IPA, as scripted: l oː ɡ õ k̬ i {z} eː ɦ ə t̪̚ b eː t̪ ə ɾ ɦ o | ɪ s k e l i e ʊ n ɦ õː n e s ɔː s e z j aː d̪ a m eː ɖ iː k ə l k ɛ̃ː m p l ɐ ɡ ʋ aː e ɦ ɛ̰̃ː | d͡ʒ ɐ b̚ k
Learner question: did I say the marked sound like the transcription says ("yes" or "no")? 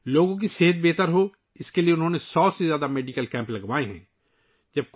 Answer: no